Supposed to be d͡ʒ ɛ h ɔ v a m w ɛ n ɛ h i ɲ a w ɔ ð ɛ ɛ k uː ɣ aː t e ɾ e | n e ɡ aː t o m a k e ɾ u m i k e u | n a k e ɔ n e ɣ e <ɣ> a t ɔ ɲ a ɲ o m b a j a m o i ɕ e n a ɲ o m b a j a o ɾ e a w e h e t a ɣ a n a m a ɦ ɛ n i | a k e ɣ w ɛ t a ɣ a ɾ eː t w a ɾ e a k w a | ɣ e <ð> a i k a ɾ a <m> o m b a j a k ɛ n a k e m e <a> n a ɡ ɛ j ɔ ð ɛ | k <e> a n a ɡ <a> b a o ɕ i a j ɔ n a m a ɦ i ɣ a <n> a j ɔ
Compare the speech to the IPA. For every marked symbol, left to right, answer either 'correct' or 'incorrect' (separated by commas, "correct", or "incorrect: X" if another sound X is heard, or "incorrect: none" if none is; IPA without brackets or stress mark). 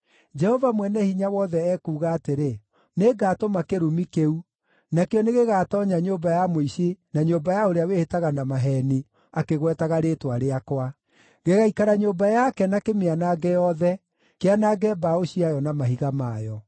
correct, incorrect: ɣ, incorrect: ɲ, correct, correct, incorrect: ɛ, incorrect: m